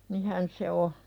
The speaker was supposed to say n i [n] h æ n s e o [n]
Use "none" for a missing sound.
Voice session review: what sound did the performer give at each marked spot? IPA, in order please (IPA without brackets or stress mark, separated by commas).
none, none